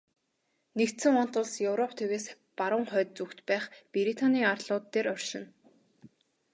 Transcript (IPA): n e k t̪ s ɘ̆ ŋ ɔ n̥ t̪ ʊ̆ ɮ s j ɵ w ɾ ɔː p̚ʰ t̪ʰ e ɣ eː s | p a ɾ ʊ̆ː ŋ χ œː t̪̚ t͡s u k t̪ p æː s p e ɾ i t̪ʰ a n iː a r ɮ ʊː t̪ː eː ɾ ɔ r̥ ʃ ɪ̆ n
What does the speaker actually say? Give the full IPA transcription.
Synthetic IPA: n e k t̪ s ɘ̆ ŋ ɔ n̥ t̪ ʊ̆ ɮ s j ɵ w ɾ ɔ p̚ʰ t̪ʰ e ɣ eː s | p a ɾ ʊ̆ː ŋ χ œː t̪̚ t͡s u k t̪ p æː χ p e ɾ i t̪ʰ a n iː a r ɮ ʊː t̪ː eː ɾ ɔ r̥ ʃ ɪ̆ n

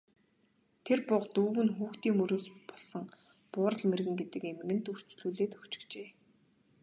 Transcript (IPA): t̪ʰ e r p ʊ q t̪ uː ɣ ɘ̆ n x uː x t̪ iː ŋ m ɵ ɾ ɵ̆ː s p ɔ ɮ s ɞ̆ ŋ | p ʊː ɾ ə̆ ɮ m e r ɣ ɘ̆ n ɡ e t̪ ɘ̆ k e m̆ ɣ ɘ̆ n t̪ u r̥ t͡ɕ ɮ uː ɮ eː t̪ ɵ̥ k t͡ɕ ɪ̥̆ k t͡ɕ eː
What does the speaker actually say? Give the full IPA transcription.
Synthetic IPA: t̪ʰ e r p ʊ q t̪ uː ɣ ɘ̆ n x uː x t̪ iː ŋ m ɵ ɾ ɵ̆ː s p ɔ ɮ s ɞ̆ ŋ | p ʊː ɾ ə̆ ɮ m e r ɣ ɘ̆ ŋ ɡ e t̪ ɘ̆ k e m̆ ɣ ɘ̆ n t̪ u r̥ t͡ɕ ɮ uː ɮ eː t̪ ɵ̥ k t͡ɕ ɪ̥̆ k t͡ɕ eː

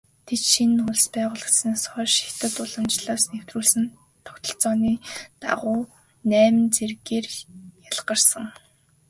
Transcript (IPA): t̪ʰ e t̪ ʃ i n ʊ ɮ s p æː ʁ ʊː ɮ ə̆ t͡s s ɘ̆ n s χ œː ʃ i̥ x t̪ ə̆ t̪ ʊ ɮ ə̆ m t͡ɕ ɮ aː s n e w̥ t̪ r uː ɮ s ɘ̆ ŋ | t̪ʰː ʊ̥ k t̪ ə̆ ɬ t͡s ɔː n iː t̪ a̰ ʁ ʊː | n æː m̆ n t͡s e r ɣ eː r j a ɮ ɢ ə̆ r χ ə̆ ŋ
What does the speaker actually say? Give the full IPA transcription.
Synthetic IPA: t̪ʰ e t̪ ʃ i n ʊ ɮ s p æː ʁ ʊː ɮ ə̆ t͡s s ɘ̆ n s χ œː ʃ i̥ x t̪ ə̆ t̪ ʊ ɮ ə̆ m t͡ɕ ɮ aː s n e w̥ t̪ r uː ɮ s ɘ̆ n | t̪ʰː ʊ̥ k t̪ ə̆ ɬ t͡s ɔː n iː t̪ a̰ ʁ ʊː | n æː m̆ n t͡s e r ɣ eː r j a ɮ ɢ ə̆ r s ə̆ ŋ

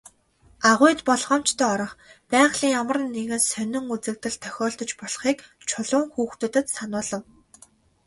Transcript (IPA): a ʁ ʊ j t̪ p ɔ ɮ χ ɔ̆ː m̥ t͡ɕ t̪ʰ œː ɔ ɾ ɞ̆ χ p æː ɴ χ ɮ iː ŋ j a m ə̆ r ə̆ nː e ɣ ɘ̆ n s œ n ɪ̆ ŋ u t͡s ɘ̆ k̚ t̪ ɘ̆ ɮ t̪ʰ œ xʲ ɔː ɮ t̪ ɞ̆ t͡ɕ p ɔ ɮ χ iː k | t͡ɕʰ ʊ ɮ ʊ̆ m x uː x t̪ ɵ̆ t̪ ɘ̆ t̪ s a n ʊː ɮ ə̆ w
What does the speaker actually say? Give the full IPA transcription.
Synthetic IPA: a ʁ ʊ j t̪ p ɔ ɮ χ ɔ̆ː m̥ t͡ɕ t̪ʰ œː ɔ ɾ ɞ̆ χ p æː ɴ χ ɮ iː ŋ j a m ə̆ r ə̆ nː e ɣ ɘ̆ n s œ n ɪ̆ ŋ u t͡s ɘ̆ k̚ t̪ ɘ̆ ɮ t̪ʰ œ xʲ ɔː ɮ t̪ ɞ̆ t͡ɕ p ɔ ɮ χ iː k | t͡ɕʰ ʊ ɮ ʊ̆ ŋ x uː x t̪ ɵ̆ t̪ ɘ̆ t̪ s a n ʊː ɮ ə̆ w

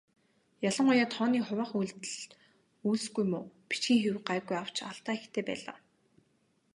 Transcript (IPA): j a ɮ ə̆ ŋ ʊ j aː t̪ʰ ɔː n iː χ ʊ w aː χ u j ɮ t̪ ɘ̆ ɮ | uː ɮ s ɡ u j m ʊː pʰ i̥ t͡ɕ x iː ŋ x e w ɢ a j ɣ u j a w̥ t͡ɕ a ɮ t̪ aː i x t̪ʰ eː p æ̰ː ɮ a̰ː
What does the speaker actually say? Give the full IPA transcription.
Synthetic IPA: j a ɮ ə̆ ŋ ʊ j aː t̪ʰ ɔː n iː χ ʊ w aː χ u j ɮ t̪ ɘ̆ ɮ | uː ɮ s ɡ u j m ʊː p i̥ t͡ɕ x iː ŋ x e w ɢ a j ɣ u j a w̥ t͡ɕ a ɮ t̪ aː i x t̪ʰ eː p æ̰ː ɮ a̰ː

